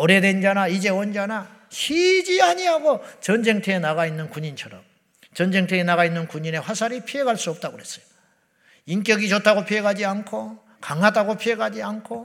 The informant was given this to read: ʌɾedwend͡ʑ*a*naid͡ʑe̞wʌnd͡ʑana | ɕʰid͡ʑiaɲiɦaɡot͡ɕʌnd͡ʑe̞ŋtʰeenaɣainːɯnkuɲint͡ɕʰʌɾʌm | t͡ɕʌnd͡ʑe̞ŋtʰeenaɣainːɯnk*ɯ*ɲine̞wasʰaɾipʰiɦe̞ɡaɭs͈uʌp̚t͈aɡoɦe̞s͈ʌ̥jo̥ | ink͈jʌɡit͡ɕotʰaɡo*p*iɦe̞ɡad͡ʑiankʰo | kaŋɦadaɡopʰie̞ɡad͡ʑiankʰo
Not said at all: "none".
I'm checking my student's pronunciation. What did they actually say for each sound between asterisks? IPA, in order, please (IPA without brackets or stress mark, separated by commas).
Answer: a, u, pʰ